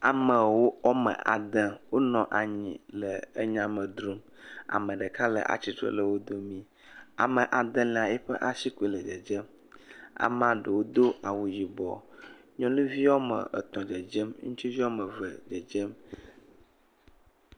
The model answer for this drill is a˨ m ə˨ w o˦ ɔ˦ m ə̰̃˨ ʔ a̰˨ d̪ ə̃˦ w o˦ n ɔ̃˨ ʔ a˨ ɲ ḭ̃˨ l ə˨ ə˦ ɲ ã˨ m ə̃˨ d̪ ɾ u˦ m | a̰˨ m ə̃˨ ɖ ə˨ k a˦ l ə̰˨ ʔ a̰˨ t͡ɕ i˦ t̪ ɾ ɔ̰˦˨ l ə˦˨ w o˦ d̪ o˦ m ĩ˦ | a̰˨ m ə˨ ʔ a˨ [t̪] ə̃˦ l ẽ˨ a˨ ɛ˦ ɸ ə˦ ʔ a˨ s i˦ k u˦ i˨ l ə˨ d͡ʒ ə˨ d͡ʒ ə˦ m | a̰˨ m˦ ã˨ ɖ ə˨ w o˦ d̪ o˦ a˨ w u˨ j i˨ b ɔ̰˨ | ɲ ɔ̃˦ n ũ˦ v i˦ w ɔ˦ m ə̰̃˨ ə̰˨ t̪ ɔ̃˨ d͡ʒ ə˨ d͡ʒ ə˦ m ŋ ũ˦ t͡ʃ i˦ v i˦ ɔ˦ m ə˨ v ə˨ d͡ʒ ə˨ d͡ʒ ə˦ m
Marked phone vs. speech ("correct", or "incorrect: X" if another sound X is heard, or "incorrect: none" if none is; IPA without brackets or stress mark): incorrect: d̪